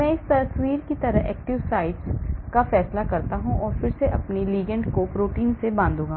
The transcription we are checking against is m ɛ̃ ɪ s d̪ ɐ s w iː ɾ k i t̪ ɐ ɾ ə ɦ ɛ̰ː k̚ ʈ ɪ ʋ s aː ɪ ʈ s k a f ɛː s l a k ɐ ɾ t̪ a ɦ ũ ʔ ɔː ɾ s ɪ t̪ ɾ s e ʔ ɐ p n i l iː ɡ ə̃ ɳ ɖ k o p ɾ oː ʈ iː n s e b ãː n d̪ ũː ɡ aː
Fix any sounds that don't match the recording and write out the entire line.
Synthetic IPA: m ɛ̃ ɪ s t̪ ɐ s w iː ɾ k i t̪ ɐ ɾ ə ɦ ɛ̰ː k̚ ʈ ɪ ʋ s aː ɪ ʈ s k a f ɛː s l a k ɐ ɾ t̪ a ɦ ũ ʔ ɔː ɾ f ɪ ɾ s e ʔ ɐ p n i l iː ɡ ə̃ ɳ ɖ k o p ɾ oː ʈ iː n s e b ãː n d̪ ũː ɡ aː